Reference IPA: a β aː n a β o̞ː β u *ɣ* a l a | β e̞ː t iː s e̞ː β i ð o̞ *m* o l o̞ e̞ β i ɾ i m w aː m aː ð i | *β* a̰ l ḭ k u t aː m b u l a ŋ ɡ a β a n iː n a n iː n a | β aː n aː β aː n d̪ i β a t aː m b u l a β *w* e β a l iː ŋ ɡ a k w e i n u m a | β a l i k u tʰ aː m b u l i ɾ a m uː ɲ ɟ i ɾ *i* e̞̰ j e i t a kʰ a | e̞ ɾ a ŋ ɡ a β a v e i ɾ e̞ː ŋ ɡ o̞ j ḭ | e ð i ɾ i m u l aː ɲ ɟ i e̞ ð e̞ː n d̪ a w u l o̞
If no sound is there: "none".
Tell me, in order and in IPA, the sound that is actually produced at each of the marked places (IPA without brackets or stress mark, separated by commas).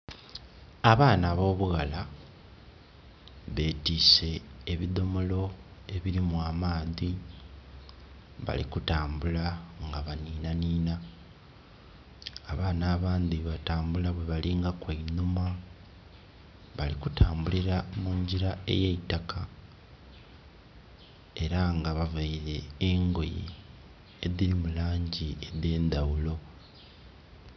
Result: ɣ, m, β, w, a